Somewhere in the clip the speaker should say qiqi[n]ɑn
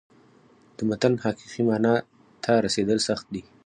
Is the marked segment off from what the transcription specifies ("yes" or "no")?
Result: yes